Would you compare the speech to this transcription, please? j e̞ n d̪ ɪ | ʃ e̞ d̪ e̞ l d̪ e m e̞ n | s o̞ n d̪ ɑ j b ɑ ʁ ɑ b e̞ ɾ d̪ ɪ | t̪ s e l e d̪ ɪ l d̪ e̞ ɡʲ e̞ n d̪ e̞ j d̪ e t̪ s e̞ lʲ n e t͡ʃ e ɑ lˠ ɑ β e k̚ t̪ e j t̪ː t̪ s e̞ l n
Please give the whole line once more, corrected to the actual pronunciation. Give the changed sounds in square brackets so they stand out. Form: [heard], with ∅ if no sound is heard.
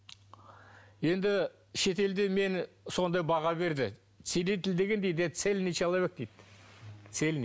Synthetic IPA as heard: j e̞ n d̪ ɪ | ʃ e̞ [t̪] e̞ l d̪ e m e̞ n | s o̞ n d̪ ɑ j b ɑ ʁ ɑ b e̞ ɾ d̪ ɪ | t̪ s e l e [t̪] ɪ l d̪ e̞ ɡʲ e̞ n d̪ e̞ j d̪ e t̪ s e̞ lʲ n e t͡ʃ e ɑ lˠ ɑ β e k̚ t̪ e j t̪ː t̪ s e̞ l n